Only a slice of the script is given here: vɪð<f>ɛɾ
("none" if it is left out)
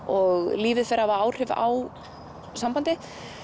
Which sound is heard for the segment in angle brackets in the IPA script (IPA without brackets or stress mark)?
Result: f